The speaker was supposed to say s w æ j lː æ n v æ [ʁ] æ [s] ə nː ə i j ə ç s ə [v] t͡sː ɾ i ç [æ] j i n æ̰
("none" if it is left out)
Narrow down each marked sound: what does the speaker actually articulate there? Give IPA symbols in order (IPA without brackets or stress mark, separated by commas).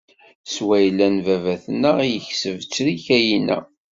v, θ, v, æ